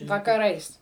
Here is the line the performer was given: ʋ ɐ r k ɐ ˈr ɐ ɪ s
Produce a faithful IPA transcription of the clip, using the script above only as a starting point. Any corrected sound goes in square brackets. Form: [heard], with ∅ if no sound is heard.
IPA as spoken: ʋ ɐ [∅] k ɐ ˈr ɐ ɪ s